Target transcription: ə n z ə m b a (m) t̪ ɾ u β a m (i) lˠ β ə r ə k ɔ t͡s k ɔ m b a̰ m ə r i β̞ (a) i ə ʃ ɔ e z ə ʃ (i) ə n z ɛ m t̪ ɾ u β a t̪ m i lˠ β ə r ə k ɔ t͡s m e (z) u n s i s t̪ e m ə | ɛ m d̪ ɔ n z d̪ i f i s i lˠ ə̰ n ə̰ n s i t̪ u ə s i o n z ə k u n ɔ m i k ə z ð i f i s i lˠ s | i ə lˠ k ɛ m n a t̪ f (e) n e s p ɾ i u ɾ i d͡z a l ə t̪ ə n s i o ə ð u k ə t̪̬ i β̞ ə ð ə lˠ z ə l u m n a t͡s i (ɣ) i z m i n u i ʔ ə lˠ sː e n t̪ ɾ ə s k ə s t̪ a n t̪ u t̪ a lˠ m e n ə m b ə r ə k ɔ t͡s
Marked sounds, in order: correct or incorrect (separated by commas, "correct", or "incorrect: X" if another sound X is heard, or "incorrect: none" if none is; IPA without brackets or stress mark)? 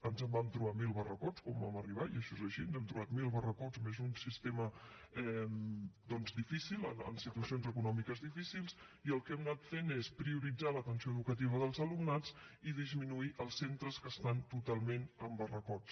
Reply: correct, correct, correct, correct, correct, correct, incorrect: ð